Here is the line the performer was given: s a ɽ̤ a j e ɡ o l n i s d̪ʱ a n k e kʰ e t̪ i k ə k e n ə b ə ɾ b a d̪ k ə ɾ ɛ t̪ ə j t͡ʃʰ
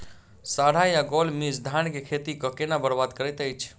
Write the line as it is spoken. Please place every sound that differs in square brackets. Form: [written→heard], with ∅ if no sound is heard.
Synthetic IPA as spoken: s a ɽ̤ a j [e→a] ɡ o l [n→m] i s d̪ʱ a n k e kʰ e t̪ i k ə k e n [ə→a] b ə ɾ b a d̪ k ə ɾ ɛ t̪ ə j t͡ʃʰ